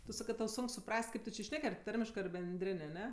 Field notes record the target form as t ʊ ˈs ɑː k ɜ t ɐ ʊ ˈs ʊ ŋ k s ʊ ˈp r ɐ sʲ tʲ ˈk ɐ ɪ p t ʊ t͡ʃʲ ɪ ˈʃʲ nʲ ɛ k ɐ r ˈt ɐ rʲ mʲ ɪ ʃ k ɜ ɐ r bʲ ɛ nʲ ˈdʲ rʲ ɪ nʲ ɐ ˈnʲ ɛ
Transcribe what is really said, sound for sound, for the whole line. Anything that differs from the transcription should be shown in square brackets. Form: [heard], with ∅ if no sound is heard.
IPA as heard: t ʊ ˈs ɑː k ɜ t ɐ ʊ ˈs ʊ ŋ k s ʊ ˈp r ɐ sʲ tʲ ˈk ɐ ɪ p t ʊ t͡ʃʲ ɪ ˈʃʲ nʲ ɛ k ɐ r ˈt ɐ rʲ mʲ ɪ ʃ k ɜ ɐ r bʲ ɛ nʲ ˈdʲ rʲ ɪ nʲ ɐ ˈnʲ ɛ